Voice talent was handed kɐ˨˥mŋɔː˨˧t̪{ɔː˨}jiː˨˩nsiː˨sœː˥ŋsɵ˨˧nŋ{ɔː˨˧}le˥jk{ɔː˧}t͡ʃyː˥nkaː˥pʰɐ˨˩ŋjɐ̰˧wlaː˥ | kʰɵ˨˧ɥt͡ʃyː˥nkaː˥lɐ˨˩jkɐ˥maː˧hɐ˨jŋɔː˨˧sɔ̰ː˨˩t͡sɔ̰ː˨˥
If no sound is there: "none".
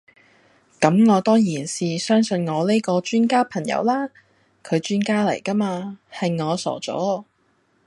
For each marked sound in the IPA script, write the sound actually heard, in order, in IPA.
ɔː˥, ɔː˨˧, ɔː˧

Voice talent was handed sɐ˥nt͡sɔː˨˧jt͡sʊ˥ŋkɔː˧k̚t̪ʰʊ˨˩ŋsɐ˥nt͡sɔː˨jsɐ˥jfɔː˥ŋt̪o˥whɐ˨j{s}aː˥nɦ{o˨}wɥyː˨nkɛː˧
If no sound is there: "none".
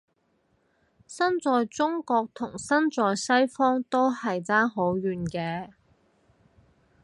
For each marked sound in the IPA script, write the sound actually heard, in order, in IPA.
t͡s, o˨˥

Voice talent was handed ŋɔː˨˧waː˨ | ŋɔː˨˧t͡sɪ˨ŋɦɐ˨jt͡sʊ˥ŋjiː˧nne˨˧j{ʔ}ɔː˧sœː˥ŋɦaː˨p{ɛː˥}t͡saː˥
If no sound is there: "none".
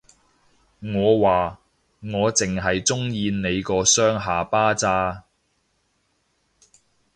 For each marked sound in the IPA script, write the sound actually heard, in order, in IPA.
k, aː˥

